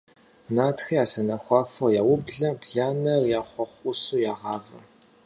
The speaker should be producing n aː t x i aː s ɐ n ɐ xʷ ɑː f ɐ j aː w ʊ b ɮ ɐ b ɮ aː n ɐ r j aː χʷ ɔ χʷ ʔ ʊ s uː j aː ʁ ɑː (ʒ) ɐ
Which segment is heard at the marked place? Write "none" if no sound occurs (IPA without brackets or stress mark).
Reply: v